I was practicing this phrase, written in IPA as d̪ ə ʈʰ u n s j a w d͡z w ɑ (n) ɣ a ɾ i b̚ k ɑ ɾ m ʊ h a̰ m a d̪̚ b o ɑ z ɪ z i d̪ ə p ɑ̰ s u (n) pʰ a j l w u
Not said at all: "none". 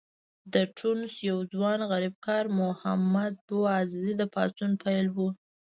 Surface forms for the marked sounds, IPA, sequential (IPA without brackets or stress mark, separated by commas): n, n